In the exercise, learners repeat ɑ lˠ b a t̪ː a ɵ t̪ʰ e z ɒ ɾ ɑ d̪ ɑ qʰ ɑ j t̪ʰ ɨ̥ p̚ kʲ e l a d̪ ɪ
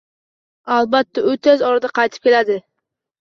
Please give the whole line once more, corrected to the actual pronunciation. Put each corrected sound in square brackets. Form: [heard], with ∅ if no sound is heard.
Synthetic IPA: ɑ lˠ b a t̪ː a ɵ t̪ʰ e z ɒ ɾ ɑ d̪ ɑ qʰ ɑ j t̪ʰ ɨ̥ p̚ kʲ e l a d̪ ɪ

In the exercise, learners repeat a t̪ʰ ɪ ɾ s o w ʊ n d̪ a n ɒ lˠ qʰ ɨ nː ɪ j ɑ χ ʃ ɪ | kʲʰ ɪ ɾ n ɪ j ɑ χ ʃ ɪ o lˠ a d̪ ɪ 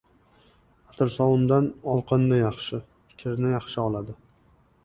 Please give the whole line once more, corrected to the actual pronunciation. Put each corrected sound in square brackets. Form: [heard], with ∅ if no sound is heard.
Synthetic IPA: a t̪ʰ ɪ ɾ s [ɒ] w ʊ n d̪ a n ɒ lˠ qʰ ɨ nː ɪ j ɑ χ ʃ ɪ | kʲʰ ɪ ɾ n ɪ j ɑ χ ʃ ɪ [ɒ] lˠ a d̪ ɪ

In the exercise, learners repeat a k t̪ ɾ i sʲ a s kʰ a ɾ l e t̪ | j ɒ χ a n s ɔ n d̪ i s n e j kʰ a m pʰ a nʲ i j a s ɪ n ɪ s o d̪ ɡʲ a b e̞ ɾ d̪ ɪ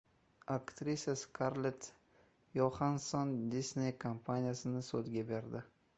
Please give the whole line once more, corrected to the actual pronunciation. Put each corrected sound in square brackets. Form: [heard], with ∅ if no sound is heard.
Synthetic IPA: a k t̪ ɾ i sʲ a s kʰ a ɾ l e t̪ | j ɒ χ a n s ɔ n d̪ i s n e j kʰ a m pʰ a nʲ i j a s ɪ n ɪ s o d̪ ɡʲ a b e̞ ɾ d̪ ɪ

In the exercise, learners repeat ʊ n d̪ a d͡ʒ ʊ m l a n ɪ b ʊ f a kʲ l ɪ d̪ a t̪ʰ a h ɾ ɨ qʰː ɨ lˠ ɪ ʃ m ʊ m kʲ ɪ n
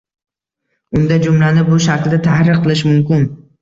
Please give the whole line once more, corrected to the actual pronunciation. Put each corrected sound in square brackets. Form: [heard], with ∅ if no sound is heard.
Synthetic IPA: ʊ n d̪ a d͡ʒ ʊ m l a n ɪ b ʊ [ʃ] a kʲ l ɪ d̪ a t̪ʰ a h ɾ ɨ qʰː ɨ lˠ ɪ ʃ m ʊ m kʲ ɪ n

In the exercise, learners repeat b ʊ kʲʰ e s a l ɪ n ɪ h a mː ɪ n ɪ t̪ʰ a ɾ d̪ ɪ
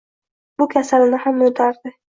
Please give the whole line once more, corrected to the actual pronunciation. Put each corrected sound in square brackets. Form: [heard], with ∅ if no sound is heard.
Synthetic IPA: b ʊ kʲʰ [a] s a l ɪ n ɪ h a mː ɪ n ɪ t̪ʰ a ɾ d̪ ɪ

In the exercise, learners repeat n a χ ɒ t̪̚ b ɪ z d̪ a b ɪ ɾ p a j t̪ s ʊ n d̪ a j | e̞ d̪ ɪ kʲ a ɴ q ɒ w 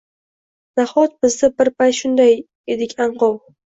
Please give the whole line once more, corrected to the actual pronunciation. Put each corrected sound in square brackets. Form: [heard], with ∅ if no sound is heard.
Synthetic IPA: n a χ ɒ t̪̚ b ɪ z d̪ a b ɪ ɾ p a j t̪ [ʃ] ʊ n d̪ a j | e̞ d̪ ɪ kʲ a ɴ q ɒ w

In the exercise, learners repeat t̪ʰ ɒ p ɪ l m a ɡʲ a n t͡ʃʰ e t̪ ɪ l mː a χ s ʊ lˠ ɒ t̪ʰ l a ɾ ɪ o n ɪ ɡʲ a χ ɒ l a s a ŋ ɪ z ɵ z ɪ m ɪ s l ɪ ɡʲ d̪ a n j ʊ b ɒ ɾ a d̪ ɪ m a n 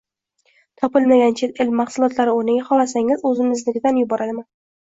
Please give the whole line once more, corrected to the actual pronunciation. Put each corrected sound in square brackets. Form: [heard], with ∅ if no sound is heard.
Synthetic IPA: t̪ʰ ɒ p ɪ l m a ɡʲ a n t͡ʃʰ e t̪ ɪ l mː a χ s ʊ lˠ ɒ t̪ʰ l a ɾ ɪ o n ɪ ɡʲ a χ ɒ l a s a ŋ ɪ z ɵ z ɪ m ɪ [z] l ɪ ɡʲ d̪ a n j ʊ b ɒ ɾ a d̪ ɪ m a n

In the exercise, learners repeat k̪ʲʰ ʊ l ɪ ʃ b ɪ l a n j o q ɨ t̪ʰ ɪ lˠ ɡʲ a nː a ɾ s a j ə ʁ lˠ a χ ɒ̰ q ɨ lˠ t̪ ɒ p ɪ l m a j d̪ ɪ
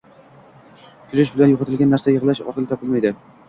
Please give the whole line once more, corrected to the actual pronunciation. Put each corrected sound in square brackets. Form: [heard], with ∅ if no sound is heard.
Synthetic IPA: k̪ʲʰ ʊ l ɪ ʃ b ɪ l a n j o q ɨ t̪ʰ ɪ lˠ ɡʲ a nː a ɾ s a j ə ʁ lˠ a [ʃ] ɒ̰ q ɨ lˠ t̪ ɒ p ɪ l m a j d̪ ɪ

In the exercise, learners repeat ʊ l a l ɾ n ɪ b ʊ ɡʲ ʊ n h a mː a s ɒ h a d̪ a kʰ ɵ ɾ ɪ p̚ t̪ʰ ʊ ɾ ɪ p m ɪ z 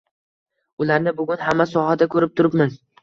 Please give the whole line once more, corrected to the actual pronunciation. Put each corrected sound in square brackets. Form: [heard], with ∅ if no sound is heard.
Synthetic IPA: ʊ l a [∅] ɾ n ɪ b ʊ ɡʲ ʊ n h a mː a s ɒ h a d̪ a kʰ ɵ ɾ ɪ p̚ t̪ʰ ʊ ɾ ɪ p m ɪ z

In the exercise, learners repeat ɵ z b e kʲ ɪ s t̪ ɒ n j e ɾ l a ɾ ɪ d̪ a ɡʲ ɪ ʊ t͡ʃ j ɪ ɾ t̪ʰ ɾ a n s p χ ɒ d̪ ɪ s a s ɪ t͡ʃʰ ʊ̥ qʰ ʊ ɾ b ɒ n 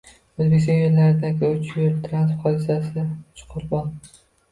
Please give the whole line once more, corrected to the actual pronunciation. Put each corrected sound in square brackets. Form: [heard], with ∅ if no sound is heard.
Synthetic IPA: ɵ z b e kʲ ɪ s t̪ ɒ n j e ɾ l a ɾ ɪ d̪ a ɡʲ ɪ ʊ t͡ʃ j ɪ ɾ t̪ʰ ɾ a n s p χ ɒ d̪ ɪ s a s ɪ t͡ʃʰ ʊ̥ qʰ ʊ ɾ b ɒ n

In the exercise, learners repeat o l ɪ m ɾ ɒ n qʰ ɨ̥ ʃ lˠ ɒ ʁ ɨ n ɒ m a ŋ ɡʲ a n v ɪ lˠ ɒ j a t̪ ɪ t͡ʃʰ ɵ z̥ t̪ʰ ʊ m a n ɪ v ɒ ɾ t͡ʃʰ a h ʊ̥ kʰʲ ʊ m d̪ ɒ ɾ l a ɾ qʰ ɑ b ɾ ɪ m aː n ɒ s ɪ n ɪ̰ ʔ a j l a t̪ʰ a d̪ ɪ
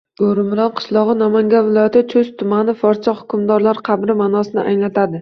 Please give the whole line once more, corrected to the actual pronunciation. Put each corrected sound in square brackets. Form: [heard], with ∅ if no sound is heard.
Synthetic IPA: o [ɾ] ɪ m ɾ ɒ n qʰ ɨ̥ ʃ lˠ ɒ ʁ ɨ n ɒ m a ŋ ɡʲ a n v ɪ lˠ ɒ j a t̪ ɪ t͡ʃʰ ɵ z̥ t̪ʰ ʊ m a n ɪ [f] ɒ ɾ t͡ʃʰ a h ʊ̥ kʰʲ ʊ m d̪ ɒ ɾ l a ɾ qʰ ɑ b ɾ ɪ m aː n ɒ s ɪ n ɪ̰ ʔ a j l a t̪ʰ a d̪ ɪ

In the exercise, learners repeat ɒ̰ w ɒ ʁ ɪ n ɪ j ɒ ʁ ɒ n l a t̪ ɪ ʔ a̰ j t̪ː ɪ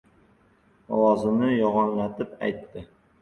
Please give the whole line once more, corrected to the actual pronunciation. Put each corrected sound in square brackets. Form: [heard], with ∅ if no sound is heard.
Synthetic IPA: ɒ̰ w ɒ [z] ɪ n ɪ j ɒ ʁ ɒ n l a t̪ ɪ [p] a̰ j t̪ː ɪ

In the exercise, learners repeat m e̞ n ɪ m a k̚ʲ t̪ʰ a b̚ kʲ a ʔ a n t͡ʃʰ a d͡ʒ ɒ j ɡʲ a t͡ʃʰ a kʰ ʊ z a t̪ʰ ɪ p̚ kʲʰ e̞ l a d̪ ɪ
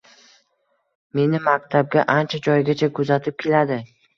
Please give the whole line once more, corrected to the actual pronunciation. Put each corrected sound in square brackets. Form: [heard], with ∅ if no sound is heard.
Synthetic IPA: m e̞ n ɪ m a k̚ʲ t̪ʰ a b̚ [ɡʲ] a ʔ a n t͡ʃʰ a d͡ʒ ɒ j ɡʲ a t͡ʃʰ a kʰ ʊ z a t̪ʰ ɪ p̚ kʲʰ e̞ l a d̪ ɪ

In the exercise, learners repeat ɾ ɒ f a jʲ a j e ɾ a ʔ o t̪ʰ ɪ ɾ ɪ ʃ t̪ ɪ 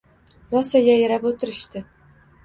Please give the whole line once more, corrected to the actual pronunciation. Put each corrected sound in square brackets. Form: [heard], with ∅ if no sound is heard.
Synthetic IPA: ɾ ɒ [s] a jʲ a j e ɾ a [p] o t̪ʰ ɪ ɾ ɪ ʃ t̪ ɪ

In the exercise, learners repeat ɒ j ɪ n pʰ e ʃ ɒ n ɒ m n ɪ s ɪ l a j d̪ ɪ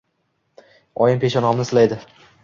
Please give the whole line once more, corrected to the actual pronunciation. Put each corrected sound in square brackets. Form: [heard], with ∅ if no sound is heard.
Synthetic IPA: ɒ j ɪ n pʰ e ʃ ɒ n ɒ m n ɪ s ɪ l a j d̪ ɪ

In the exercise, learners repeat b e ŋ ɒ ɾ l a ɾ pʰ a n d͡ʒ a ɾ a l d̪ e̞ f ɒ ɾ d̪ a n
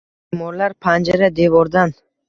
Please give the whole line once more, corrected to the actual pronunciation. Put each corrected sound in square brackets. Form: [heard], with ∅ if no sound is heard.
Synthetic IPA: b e [m] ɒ ɾ l a ɾ pʰ a n d͡ʒ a ɾ a [∅] d̪ e̞ [v] ɒ ɾ d̪ a n

